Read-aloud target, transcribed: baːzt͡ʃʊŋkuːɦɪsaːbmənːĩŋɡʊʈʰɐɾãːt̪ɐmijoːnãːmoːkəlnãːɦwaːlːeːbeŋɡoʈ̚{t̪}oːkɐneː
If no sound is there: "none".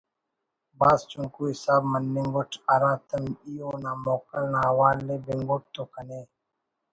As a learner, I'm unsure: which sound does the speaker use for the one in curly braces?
t̪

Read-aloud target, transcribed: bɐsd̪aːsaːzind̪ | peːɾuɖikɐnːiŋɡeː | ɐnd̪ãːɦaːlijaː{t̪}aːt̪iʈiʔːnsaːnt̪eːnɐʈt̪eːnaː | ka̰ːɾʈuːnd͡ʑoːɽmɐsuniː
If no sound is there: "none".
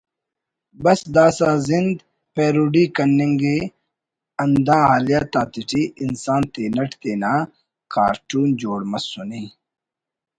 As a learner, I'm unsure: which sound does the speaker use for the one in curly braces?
t̪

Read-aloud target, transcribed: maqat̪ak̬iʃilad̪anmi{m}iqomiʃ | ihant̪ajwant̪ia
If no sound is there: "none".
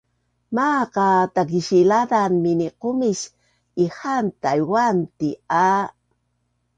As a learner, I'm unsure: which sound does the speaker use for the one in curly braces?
n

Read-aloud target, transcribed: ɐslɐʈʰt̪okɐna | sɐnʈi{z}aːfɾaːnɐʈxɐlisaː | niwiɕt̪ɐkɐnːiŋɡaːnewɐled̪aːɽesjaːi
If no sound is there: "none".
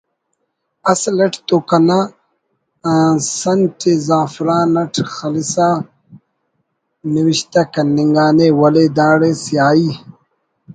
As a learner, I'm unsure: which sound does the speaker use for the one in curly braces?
z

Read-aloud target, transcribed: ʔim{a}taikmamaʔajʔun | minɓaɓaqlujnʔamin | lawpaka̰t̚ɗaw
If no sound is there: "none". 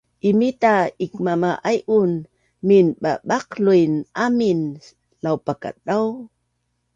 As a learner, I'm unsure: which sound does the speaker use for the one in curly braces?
i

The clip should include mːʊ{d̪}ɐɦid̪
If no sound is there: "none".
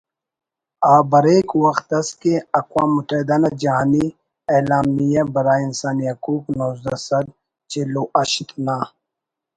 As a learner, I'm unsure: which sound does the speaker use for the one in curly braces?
t̪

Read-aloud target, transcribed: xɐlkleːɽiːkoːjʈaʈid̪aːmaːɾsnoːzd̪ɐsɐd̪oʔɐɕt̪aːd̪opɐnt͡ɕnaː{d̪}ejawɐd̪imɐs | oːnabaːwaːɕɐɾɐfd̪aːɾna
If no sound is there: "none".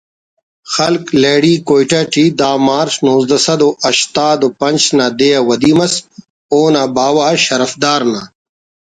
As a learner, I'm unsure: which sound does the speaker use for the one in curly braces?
d̪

